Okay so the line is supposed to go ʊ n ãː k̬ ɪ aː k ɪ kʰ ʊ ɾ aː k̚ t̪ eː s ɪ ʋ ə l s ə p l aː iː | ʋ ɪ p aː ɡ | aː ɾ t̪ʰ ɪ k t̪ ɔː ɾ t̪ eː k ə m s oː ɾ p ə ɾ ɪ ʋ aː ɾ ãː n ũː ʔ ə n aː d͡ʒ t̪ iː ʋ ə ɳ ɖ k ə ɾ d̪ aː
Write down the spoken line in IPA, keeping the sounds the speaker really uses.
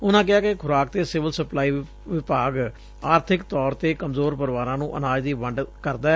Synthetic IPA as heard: ʊ n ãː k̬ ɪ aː k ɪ kʰ ʊ ɾ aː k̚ t̪ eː s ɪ ʋ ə l s ə p l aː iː | ʋ ɪ p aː ɡ | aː ɾ t̪ʰ ɪ k t̪ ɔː ɾ t̪ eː k ə m z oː ɾ p ə ɾ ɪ ʋ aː ɾ ãː n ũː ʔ ə n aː d͡ʒ d̪ iː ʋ ə ɳ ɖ k ə ɾ d̪ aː